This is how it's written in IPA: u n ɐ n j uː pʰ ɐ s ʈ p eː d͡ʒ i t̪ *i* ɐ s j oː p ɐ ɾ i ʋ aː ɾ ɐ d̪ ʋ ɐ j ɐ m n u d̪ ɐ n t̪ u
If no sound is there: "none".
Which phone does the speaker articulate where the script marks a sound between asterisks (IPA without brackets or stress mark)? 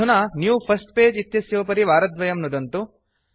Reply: j